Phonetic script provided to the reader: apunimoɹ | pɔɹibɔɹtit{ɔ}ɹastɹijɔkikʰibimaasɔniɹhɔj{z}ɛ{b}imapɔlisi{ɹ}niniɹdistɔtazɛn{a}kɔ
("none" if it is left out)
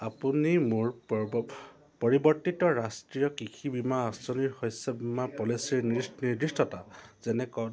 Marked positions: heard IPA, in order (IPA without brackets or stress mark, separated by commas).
ɔ, s, b, ɹ, ɛ